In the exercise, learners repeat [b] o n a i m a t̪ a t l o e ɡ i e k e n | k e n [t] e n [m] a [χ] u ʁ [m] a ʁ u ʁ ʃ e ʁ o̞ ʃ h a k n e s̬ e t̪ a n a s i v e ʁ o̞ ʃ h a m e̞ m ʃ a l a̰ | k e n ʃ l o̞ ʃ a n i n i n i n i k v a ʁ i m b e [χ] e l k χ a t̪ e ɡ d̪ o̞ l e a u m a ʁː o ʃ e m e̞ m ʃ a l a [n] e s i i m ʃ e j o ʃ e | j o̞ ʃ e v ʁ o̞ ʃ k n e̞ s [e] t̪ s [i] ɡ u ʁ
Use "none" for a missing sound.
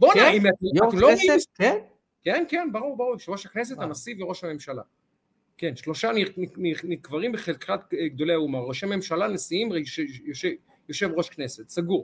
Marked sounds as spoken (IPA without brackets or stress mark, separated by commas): b, k, b, ʁ, b, χ, n, e, a